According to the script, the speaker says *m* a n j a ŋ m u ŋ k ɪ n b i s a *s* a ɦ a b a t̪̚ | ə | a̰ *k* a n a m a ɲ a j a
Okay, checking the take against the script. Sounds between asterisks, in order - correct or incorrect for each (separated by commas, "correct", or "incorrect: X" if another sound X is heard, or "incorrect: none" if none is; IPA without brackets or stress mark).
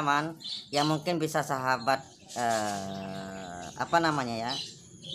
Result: correct, correct, incorrect: p